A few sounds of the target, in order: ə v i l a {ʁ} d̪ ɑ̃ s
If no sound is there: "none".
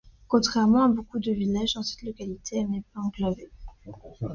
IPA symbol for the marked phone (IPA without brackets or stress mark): ʒ